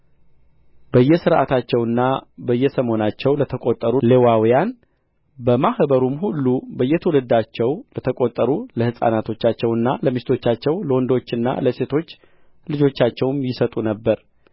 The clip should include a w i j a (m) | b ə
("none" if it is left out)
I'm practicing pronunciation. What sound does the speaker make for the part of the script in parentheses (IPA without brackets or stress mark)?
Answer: n